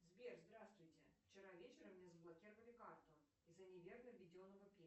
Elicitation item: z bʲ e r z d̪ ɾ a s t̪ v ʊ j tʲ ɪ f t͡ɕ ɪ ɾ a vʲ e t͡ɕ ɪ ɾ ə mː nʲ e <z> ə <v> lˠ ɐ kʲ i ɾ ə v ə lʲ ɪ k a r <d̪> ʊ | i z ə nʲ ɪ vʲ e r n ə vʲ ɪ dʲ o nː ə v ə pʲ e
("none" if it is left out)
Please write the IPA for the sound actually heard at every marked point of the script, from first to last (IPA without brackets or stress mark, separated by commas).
z, b, t̪